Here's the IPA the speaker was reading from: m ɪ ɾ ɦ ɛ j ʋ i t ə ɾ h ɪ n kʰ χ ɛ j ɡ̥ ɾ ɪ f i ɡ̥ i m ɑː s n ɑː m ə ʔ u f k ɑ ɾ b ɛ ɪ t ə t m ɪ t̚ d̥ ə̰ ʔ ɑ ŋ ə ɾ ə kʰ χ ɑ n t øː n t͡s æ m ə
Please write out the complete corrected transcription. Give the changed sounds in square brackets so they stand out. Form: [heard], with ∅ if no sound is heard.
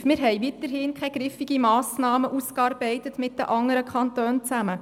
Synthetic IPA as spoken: m ɪ ɾ ɦ ɛ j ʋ i t ə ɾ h ɪ n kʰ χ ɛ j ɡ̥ ɾ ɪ f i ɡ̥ i m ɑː s n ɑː m ə ʔ u [s] k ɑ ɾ b ɛ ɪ t ə t m ɪ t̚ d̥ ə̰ ʔ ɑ ŋ ə ɾ ə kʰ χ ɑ n t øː n t͡s æ m ə